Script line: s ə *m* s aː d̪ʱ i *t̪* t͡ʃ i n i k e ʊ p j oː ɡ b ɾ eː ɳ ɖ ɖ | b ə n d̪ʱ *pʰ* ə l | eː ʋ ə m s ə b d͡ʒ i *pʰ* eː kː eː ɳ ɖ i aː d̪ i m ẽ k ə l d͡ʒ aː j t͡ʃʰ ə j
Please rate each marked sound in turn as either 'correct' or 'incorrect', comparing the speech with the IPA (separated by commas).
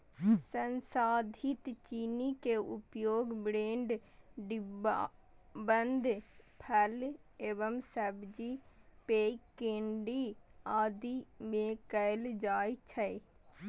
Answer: incorrect, correct, correct, incorrect